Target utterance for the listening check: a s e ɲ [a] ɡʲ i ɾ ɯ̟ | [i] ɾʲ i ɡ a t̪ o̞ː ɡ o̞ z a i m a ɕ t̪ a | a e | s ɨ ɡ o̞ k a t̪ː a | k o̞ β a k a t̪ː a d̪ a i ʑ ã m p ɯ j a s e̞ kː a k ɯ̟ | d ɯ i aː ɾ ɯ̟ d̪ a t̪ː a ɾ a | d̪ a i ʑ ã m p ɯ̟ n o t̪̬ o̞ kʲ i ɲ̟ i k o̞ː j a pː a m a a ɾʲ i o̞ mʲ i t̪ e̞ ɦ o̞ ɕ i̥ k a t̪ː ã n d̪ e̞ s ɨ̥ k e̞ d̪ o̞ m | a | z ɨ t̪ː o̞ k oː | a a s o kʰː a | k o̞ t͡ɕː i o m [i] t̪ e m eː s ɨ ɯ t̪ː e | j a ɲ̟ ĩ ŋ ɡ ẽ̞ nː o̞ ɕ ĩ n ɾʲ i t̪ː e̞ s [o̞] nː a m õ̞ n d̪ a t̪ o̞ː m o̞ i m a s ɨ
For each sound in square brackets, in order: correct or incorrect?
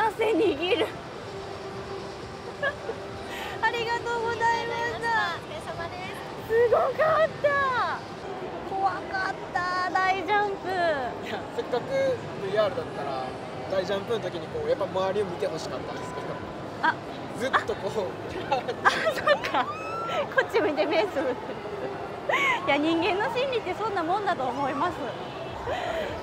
incorrect: i, incorrect: a, correct, incorrect: õ̞

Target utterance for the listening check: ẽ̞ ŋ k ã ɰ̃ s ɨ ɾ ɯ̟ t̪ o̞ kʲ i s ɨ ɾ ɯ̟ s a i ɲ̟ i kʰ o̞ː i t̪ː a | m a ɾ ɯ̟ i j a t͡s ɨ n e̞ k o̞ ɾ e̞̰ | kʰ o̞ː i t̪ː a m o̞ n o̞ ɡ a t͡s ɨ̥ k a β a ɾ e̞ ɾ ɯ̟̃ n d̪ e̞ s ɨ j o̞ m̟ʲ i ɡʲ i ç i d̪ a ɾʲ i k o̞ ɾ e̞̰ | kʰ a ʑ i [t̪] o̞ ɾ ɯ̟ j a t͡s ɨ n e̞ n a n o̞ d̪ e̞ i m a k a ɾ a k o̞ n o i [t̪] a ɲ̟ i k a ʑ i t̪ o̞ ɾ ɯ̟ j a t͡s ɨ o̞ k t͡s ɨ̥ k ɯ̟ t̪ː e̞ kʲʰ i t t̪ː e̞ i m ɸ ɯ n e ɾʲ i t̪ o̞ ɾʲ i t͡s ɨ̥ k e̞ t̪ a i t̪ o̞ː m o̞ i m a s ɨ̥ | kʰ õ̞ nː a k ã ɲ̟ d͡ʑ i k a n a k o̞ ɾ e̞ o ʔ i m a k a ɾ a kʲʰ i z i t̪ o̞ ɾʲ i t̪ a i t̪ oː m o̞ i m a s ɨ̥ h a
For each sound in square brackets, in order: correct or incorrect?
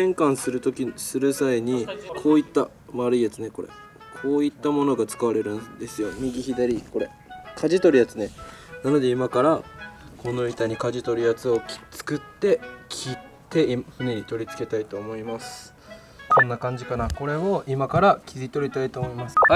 correct, correct

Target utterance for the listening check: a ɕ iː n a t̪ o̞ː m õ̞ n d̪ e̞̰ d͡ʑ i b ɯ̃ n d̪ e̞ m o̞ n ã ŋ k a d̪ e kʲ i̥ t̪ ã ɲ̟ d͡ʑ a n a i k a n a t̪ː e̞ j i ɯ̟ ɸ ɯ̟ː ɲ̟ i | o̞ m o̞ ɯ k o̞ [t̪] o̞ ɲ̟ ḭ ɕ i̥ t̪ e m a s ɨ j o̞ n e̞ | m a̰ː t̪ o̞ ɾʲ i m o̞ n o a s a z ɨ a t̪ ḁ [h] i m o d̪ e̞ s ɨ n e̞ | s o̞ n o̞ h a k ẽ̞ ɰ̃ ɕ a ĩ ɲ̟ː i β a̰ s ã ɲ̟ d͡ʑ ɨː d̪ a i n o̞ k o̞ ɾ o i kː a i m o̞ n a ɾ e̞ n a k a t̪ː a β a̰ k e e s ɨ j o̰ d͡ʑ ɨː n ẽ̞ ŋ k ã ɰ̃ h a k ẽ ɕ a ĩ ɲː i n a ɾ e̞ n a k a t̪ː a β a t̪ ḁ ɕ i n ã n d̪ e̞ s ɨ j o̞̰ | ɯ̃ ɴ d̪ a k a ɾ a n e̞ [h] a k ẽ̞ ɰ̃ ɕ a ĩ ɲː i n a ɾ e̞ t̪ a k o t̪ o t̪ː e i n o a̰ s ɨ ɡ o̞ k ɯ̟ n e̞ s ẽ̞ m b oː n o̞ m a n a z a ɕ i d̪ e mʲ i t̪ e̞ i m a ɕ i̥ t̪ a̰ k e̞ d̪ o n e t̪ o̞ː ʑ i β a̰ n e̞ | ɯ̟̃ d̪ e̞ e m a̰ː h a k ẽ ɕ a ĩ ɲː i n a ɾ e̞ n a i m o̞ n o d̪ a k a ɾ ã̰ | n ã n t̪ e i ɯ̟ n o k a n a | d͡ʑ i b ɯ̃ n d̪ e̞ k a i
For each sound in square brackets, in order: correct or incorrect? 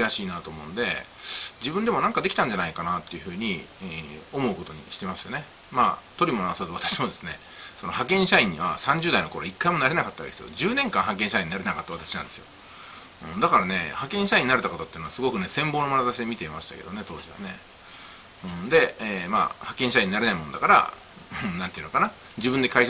correct, incorrect: ɕ, correct

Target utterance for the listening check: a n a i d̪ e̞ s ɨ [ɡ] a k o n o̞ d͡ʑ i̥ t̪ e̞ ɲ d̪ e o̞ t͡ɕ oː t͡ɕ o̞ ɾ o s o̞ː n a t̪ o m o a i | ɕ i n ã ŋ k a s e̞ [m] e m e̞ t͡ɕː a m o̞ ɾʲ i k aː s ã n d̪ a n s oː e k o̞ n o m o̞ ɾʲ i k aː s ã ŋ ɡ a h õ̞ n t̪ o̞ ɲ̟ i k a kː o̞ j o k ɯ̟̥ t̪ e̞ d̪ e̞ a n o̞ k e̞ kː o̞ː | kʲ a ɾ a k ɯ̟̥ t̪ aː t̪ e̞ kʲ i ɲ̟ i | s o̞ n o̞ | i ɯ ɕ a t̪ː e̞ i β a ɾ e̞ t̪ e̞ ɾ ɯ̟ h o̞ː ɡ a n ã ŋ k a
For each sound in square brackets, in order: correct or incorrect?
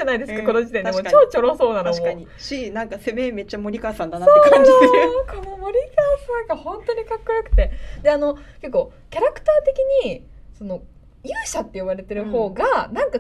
incorrect: k, correct

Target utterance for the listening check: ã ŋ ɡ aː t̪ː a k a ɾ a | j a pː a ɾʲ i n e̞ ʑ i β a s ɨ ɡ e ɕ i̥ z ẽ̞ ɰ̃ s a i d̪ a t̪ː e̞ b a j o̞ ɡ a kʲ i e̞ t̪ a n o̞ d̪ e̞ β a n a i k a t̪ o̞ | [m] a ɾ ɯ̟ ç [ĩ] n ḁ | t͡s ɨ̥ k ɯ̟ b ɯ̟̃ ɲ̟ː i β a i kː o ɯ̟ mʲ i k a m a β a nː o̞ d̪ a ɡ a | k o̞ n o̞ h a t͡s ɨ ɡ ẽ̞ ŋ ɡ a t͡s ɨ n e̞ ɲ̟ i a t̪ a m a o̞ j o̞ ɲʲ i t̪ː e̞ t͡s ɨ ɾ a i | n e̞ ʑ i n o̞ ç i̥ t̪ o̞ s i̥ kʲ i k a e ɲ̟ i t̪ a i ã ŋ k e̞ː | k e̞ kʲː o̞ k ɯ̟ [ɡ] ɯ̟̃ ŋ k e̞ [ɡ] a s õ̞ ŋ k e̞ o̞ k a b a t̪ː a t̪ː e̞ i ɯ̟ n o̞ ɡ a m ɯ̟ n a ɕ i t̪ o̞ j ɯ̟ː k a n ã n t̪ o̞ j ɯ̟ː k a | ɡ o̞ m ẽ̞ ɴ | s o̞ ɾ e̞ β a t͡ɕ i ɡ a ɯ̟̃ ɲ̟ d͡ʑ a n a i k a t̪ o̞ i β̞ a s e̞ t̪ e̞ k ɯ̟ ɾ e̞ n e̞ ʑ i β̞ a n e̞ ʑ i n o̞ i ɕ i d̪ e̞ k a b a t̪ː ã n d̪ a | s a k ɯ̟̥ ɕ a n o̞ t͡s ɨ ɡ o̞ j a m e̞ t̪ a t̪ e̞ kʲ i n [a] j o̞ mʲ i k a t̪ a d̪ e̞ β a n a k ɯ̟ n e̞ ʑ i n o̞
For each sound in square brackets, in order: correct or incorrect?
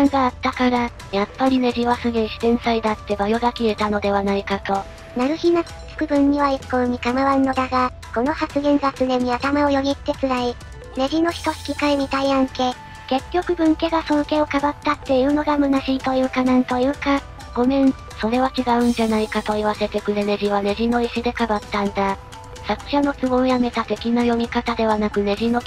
incorrect: n, incorrect: i, incorrect: b, correct, correct

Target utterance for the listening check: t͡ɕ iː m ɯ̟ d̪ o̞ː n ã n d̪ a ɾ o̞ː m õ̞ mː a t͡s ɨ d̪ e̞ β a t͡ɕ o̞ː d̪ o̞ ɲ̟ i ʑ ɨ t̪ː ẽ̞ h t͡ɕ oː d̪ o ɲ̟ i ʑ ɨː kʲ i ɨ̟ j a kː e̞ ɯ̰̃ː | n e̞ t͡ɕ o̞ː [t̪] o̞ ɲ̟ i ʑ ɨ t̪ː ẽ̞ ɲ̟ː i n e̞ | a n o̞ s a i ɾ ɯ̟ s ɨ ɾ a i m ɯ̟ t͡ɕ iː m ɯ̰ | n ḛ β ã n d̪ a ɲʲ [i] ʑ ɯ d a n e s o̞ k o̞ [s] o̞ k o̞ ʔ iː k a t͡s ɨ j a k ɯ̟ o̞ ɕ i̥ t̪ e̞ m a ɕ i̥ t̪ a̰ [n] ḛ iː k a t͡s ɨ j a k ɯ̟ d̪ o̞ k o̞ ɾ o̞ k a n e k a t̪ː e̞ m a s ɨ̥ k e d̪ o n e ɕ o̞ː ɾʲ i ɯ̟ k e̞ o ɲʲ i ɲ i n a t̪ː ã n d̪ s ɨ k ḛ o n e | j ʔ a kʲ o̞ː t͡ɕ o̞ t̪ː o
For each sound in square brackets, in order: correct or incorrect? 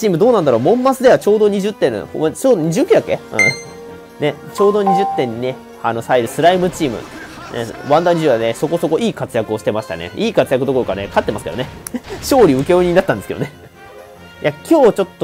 incorrect: d̪, correct, correct, correct

